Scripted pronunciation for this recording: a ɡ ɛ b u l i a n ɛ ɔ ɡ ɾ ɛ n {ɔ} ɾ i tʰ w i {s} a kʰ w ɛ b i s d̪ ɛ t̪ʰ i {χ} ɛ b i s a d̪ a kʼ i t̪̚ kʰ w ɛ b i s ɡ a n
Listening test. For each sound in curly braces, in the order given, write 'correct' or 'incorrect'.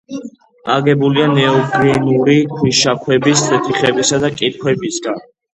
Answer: incorrect, incorrect, correct

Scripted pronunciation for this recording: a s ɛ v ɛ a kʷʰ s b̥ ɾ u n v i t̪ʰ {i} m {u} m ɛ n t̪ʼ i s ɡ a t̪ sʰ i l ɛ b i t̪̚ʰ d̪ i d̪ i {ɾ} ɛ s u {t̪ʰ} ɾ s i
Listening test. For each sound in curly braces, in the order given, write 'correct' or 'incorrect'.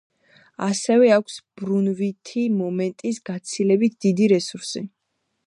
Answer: correct, incorrect, correct, incorrect

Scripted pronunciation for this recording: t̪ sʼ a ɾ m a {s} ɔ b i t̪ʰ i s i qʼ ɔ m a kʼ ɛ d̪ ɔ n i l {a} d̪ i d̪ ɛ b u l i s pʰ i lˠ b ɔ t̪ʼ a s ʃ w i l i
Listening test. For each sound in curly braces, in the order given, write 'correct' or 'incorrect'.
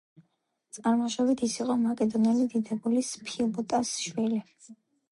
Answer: incorrect, incorrect

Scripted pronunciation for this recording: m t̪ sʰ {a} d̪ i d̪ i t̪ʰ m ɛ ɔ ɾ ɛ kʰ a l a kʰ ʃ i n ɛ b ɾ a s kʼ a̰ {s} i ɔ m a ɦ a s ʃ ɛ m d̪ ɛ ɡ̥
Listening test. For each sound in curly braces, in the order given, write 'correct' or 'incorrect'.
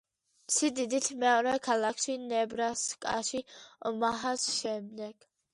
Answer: incorrect, incorrect

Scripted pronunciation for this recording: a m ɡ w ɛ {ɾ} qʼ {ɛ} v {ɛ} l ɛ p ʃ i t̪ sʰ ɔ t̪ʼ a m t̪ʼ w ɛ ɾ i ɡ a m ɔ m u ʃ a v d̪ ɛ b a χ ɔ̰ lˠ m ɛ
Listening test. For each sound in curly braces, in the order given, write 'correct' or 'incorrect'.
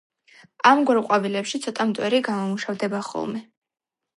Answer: correct, incorrect, incorrect

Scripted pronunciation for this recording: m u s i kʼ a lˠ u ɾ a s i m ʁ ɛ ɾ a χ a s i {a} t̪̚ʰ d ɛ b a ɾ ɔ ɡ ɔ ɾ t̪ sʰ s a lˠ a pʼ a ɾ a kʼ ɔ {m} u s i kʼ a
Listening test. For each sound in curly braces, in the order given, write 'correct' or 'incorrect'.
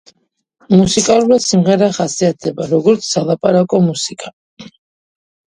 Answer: correct, correct

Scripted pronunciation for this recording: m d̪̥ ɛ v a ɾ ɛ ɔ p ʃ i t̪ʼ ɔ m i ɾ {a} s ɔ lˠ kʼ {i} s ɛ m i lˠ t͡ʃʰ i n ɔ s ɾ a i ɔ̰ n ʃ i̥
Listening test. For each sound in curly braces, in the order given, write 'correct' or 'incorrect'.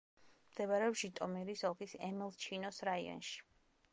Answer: incorrect, correct

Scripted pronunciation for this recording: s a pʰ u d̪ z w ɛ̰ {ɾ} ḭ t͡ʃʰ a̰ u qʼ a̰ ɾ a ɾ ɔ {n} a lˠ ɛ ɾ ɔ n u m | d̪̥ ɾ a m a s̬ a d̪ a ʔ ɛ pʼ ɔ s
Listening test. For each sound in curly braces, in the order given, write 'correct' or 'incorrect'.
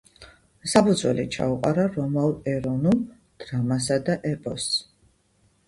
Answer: incorrect, incorrect

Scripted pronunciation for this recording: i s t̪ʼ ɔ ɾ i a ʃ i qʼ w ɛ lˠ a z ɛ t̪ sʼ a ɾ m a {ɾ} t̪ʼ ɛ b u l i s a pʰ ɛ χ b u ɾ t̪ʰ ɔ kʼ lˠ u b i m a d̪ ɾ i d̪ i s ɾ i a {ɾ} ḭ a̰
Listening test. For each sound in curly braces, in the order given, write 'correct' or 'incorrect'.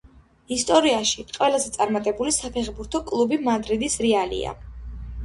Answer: incorrect, incorrect

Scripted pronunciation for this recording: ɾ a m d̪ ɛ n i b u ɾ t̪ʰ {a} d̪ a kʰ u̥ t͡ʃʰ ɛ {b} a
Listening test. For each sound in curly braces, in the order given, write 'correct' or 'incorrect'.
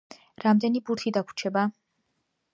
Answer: incorrect, correct

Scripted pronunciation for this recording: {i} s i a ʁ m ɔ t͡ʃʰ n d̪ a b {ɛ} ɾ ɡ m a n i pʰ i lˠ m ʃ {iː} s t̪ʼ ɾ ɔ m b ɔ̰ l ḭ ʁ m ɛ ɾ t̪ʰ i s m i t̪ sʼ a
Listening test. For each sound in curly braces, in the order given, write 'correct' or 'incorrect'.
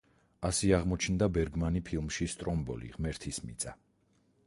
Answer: incorrect, correct, incorrect

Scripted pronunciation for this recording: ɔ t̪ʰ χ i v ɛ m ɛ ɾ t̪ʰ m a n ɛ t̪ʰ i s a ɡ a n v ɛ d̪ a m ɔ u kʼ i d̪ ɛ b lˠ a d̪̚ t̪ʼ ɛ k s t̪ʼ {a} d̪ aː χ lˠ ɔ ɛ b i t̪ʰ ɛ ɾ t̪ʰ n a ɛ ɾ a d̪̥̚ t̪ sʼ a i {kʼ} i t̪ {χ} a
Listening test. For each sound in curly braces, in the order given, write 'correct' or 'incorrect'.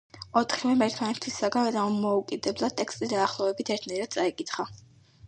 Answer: incorrect, correct, correct

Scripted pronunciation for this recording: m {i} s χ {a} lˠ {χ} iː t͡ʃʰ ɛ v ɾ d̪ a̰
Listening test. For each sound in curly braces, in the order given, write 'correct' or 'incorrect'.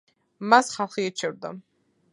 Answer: incorrect, correct, correct

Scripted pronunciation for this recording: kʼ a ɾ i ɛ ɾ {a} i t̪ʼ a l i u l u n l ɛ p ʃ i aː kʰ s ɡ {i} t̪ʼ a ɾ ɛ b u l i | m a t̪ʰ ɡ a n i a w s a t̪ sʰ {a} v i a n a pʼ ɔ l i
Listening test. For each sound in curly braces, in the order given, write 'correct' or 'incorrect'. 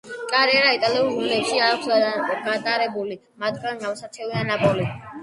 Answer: correct, incorrect, incorrect

